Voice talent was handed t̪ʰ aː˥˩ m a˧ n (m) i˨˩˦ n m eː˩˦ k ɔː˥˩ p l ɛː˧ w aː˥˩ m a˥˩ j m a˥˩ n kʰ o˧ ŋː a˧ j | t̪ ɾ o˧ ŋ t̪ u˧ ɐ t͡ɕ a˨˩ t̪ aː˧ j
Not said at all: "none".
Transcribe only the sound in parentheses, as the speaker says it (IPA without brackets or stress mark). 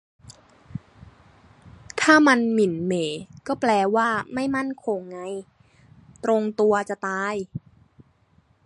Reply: m